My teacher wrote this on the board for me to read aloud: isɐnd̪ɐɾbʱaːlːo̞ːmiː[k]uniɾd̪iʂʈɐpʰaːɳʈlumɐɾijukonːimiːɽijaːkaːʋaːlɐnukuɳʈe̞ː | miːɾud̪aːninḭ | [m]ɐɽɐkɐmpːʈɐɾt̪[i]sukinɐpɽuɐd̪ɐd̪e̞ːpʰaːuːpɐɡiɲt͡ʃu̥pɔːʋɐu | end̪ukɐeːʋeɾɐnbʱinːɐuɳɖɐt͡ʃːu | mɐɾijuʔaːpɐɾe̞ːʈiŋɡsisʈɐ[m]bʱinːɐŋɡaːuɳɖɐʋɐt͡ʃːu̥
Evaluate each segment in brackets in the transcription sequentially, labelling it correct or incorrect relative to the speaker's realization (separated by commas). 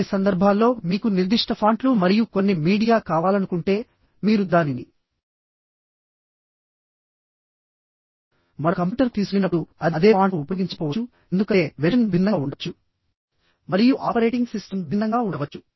correct, correct, incorrect, correct